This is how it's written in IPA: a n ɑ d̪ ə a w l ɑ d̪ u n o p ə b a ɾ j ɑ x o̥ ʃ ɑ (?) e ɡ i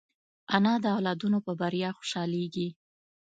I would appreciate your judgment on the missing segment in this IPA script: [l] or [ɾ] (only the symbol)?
l